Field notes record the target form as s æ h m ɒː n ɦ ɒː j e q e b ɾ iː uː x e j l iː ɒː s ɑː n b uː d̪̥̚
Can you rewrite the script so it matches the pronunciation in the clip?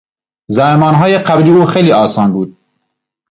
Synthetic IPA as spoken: z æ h m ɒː n ɦ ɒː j e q æ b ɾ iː uː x e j l iː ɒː s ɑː n b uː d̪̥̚